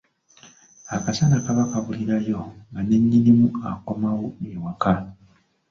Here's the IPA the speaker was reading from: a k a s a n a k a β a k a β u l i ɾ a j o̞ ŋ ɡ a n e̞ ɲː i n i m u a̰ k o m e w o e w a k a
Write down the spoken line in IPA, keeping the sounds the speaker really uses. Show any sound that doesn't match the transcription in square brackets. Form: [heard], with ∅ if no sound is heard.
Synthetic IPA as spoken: a k a s a n a k a β a k a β u l i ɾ a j o̞ ŋ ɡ a n e̞ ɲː i n i m u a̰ k o m [a] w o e w a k a